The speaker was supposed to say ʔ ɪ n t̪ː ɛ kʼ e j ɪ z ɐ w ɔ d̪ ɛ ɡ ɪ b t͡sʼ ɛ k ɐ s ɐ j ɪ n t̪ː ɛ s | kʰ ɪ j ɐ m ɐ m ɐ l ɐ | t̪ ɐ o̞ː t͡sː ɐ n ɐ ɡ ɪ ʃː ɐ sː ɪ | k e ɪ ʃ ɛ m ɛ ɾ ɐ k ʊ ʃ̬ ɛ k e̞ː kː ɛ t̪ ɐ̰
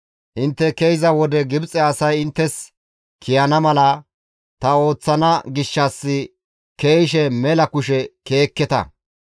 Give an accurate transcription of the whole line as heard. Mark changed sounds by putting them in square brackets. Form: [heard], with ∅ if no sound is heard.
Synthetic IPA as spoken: ʔ ɪ n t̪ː ɛ [k] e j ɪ z ɐ w ɔ d̪ ɛ ɡ ɪ b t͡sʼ ɛ [∅] ɐ s ɐ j ɪ n t̪ː ɛ s | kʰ ɪ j ɐ [n] ɐ m ɐ l ɐ | t̪ ɐ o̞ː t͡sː ɐ n ɐ ɡ ɪ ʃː ɐ sː ɪ | k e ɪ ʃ ɛ m ɛ [l] ɐ k ʊ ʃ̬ ɛ k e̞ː kː ɛ t̪ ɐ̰

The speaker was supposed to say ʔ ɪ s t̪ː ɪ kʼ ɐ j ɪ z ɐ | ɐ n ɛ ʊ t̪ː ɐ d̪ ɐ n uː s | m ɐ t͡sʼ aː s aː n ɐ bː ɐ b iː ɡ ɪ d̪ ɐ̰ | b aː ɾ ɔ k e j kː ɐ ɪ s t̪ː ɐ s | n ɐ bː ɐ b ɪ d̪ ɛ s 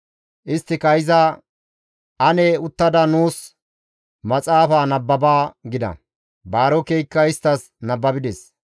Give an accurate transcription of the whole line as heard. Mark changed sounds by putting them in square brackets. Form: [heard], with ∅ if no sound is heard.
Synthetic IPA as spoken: ʔ ɪ s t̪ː ɪ [k] ɐ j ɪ z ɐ | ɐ n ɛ ʊ t̪ː ɐ d̪ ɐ n uː s | m ɐ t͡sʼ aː [f] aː n ɐ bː ɐ b [aː] ɡ ɪ d̪ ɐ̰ | b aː ɾ ɔ k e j kː ɐ ɪ s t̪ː ɐ s | n ɐ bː ɐ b ɪ d̪ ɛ s

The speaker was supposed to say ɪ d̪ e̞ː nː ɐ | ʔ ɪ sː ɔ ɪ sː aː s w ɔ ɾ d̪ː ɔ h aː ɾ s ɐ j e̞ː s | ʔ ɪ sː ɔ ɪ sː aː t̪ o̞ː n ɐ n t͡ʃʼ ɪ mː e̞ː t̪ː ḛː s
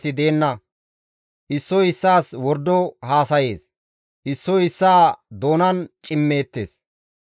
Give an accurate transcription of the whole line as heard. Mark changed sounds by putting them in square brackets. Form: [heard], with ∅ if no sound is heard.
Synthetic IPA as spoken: ɪ d̪ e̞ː nː ɐ | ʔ ɪ sː ɔ ɪ sː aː s w ɔ ɾ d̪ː ɔ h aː [∅] s ɐ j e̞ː s | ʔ ɪ sː ɔ ɪ sː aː [d̪] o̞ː n ɐ n t͡ʃʼ ɪ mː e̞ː t̪ː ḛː s

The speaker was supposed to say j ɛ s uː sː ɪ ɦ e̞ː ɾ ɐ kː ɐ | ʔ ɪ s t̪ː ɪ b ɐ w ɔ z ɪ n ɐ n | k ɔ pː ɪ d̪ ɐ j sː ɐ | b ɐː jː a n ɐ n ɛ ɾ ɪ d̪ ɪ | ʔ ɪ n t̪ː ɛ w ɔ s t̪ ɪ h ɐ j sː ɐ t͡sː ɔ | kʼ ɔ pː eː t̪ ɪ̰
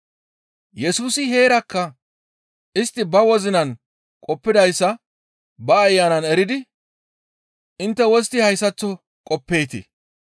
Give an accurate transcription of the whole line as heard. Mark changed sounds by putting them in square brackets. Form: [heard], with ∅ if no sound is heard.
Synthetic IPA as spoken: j ɛ s uː [s] ɪ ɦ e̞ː ɾ ɐ kː ɐ | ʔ ɪ s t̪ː ɪ b ɐ w ɔ z ɪ n ɐ n | [kʼ] ɔ pː ɪ d̪ ɐ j sː ɐ | b ɐː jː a n ɐ n ɛ ɾ ɪ d̪ ɪ | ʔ ɪ n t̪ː ɛ w ɔ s t̪ ɪ h ɐ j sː ɐ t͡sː ɔ | kʼ ɔ pː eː t̪ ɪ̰

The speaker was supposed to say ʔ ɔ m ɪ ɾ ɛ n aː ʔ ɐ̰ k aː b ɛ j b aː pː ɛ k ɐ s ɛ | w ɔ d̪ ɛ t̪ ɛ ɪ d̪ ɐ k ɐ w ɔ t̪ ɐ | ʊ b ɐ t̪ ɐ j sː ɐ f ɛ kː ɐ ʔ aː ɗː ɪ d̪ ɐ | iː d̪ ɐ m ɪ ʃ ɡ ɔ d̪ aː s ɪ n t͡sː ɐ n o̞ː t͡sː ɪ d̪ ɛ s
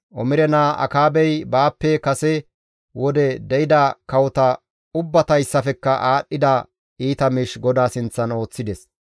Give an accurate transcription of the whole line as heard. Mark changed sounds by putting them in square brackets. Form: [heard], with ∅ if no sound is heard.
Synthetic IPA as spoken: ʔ ɔ m ɪ ɾ ɛ n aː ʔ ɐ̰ k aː b ɛ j b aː pː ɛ k ɐ s ɛ | w ɔ d̪ ɛ [d̪] ɛ ɪ d̪ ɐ k ɐ w ɔ t̪ ɐ | ʊ [bː] ɐ t̪ ɐ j sː ɐ f ɛ kː ɐ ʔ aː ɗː ɪ d̪ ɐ | iː [t̪] ɐ m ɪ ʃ ɡ ɔ d̪ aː s ɪ n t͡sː ɐ n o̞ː t͡sː ɪ d̪ ɛ s

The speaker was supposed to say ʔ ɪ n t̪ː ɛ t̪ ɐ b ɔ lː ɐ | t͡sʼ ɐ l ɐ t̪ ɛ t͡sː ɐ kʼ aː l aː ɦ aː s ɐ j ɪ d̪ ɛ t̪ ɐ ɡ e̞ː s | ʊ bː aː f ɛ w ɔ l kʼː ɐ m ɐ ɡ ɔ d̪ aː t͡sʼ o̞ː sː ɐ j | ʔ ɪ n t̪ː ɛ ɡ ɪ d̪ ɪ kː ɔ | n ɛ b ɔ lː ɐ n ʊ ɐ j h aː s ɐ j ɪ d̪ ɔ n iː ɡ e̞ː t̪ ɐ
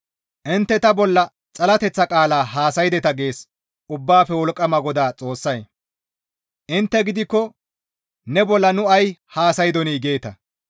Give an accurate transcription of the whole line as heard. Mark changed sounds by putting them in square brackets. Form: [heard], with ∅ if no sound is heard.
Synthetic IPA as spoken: ʔ ɪ n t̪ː ɛ t̪ ɐ b ɔ lː ɐ | t͡sʼ ɐ l ɐ t̪ ɛ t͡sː ɐ kʼ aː l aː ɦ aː s ɐ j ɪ d̪ ɛ t̪ ɐ ɡ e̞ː s | ʊ bː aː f ɛ w ɔ l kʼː ɐ m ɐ ɡ ɔ d̪ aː t͡sʼ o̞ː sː ɐ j | ʔ ɪ n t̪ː ɛ ɡ ɪ d̪ ɪ kː ɔ | n ɛ b ɔ lː ɐ n ʊ ɐ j h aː s ɐ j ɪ d̪ ɔ n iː ɡ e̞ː t̪ ɐ

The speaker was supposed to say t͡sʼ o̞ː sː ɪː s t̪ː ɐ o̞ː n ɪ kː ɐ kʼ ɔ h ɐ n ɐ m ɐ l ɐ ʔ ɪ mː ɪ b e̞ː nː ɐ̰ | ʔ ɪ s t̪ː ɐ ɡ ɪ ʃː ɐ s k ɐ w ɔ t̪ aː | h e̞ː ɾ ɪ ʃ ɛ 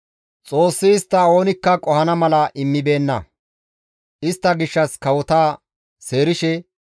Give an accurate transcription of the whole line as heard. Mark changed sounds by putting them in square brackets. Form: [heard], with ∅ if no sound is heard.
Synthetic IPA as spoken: t͡sʼ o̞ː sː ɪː s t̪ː ɐ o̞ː n ɪ kː ɐ kʼ ɔ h ɐ n ɐ m ɐ l ɐ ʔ ɪ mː ɪ b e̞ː nː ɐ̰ | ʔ ɪ s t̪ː ɐ ɡ ɪ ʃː ɐ s k ɐ w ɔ t̪ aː | [s] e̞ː ɾ ɪ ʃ ɛ

